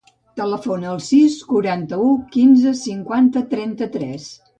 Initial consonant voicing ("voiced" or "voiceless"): voiceless